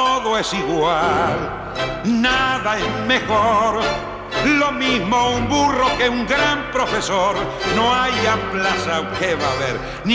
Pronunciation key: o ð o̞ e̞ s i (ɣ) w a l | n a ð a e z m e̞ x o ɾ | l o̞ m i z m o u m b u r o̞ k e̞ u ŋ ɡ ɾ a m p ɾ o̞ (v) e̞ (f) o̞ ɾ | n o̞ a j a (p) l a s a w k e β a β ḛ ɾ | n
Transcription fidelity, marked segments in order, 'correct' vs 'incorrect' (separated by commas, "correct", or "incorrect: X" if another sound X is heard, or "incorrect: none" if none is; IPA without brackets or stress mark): correct, incorrect: f, incorrect: s, correct